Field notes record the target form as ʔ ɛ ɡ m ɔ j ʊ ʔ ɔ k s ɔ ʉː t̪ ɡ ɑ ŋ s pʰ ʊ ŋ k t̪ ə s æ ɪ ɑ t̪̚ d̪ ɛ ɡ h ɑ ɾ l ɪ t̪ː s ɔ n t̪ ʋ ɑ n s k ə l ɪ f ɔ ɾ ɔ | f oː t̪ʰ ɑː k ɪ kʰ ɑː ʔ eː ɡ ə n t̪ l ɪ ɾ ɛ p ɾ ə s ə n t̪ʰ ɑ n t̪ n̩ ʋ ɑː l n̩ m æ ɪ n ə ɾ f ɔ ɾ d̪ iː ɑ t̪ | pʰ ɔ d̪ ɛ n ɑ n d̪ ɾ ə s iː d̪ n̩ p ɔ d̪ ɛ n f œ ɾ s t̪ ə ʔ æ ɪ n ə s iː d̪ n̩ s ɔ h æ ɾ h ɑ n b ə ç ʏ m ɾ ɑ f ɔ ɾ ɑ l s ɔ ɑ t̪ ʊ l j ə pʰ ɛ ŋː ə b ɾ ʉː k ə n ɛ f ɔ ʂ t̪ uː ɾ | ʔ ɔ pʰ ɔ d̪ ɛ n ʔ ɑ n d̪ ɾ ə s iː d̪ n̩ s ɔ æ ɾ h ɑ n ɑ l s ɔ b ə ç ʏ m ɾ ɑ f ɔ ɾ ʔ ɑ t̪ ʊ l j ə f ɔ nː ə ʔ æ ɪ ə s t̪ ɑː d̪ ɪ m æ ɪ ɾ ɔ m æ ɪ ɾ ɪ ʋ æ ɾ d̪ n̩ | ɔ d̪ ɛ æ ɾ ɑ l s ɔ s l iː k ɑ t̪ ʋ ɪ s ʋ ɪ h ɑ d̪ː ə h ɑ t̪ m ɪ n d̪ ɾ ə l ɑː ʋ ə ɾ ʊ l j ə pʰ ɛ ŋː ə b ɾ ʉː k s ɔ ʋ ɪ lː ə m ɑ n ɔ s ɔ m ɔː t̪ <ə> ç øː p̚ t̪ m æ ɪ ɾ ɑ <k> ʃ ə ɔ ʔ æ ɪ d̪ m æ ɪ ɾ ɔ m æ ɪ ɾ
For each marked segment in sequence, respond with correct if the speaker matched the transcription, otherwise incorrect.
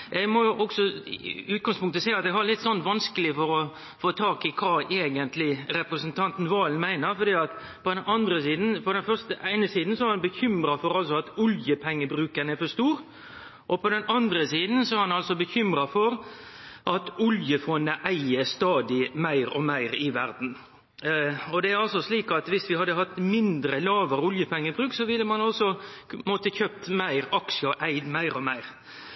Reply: correct, correct

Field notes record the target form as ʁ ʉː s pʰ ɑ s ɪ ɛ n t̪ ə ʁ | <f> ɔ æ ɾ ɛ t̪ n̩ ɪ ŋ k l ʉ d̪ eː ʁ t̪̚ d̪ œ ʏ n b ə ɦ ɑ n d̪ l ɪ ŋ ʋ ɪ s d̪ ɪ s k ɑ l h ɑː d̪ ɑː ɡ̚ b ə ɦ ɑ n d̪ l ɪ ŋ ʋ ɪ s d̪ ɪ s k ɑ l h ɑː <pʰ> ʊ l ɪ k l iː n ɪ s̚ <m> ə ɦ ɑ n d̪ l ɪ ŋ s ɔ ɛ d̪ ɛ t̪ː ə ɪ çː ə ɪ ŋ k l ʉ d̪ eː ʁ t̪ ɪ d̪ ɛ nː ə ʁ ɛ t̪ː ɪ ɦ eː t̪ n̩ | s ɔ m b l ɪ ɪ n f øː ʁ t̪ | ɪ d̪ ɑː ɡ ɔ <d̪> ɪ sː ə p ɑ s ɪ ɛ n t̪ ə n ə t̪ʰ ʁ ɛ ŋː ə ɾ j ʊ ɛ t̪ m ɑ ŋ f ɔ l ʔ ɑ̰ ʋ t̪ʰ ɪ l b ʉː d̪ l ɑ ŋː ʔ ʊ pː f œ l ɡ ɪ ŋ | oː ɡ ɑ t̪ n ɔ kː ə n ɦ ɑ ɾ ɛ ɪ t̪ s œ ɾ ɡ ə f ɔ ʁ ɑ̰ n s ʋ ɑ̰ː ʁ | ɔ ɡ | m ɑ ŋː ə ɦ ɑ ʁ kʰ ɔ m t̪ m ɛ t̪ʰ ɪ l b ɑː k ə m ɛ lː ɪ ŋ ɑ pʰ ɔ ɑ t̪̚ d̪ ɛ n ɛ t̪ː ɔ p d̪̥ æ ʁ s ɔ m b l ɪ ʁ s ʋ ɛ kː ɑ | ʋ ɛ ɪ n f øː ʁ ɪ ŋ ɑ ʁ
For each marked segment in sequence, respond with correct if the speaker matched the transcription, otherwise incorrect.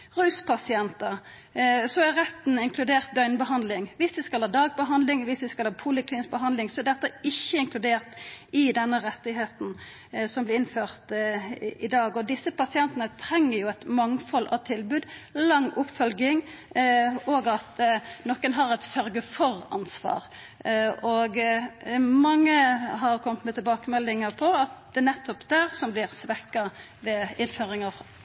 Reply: incorrect, correct, incorrect, correct

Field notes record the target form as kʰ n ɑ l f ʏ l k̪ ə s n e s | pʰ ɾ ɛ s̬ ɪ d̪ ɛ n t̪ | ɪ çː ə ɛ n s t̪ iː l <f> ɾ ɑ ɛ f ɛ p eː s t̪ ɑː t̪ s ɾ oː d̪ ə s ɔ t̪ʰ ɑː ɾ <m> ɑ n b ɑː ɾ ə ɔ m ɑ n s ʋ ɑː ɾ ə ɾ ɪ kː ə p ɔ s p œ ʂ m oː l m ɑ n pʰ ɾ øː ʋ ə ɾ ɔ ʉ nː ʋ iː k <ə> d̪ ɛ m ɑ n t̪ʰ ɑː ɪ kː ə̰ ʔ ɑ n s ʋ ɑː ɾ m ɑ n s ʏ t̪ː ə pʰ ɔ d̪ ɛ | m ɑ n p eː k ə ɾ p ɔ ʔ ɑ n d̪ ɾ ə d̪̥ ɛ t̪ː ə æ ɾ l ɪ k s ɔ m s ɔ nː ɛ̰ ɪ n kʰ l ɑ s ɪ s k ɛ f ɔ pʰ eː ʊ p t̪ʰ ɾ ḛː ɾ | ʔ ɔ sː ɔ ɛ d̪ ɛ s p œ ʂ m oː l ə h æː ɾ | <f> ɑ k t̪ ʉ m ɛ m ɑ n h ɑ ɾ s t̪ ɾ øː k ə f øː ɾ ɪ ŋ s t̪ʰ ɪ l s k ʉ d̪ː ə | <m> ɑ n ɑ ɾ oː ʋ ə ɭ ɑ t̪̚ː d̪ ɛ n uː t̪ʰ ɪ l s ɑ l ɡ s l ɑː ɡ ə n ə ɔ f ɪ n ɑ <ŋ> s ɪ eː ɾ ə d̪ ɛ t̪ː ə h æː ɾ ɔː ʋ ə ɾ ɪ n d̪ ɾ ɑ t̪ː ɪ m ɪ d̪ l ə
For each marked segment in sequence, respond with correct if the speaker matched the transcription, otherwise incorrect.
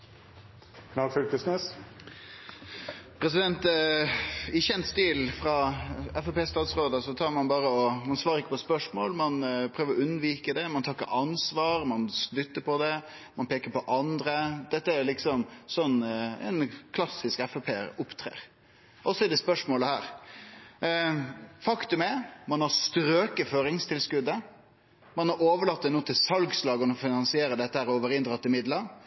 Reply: correct, correct, correct, correct, correct, incorrect

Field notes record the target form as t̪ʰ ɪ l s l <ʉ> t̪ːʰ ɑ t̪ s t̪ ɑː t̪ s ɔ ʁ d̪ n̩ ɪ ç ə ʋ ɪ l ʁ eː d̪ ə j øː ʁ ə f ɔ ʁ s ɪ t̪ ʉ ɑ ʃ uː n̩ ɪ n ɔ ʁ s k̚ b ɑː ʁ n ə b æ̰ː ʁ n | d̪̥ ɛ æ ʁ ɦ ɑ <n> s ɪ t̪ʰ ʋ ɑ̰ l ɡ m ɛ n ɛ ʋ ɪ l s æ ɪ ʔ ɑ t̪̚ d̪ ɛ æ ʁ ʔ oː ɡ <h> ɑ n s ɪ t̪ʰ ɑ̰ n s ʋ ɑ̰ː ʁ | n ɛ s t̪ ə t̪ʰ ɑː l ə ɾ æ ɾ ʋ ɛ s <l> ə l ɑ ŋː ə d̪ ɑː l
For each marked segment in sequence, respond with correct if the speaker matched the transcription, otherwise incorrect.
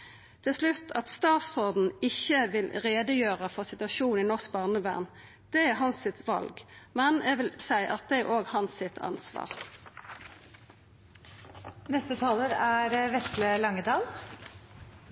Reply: correct, correct, correct, correct

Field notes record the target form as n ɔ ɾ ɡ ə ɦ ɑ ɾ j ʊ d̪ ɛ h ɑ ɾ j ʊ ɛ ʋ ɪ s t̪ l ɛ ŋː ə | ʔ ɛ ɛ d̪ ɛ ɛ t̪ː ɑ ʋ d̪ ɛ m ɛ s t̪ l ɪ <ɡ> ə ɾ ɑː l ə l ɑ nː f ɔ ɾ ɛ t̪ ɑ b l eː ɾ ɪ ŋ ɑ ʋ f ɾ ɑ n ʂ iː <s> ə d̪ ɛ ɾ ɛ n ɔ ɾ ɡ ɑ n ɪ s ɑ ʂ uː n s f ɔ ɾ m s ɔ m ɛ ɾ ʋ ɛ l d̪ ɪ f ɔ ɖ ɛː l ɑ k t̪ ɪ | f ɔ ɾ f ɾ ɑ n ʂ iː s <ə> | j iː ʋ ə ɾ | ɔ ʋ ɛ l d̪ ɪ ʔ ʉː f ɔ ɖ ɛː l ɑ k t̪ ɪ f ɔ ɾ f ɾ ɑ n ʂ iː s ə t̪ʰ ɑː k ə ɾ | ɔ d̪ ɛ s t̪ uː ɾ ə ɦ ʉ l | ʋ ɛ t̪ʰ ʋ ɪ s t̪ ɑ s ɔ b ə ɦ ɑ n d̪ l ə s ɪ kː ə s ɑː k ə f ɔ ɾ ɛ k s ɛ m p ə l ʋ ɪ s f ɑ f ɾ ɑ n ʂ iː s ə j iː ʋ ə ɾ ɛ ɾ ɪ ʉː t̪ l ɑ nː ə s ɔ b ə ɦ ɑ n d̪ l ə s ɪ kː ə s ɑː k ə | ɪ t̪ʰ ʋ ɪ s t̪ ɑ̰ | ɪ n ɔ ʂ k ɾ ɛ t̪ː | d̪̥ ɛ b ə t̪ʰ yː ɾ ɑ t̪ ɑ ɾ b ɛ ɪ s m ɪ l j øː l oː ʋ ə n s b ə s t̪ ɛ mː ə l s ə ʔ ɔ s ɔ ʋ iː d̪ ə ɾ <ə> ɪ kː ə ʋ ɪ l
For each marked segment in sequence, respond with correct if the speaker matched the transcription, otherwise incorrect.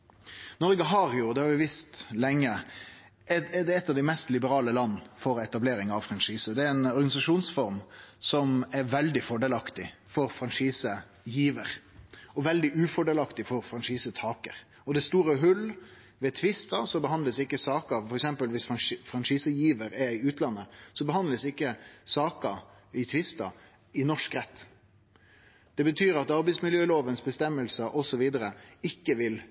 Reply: incorrect, correct, correct, correct

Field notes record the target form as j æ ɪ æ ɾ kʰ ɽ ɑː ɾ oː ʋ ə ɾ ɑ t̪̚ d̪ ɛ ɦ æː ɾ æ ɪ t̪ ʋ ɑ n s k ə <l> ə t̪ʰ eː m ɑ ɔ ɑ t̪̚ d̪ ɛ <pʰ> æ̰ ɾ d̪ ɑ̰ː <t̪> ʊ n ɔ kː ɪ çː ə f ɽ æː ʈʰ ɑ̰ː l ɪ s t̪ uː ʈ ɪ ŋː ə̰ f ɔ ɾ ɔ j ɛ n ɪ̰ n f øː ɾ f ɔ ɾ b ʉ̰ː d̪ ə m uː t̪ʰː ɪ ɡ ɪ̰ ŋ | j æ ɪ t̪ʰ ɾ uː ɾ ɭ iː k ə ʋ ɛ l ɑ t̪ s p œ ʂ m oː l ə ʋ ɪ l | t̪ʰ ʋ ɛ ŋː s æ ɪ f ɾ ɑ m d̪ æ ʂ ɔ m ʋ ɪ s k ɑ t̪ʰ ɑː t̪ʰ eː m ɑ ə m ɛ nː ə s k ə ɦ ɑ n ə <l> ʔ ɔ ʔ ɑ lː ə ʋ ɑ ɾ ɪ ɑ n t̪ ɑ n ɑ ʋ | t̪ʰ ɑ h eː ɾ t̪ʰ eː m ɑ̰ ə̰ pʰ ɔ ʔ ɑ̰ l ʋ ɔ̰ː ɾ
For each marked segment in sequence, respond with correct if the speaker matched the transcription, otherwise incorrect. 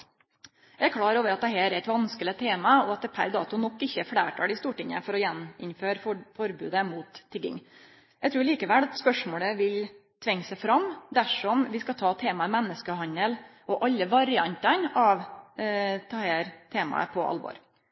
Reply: correct, correct, correct, correct

